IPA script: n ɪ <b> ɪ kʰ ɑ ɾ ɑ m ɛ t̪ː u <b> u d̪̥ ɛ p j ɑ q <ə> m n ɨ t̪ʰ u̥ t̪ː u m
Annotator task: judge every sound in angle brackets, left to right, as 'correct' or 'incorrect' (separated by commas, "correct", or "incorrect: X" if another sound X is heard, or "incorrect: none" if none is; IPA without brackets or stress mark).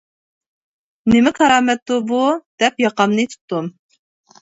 incorrect: m, correct, incorrect: ɑ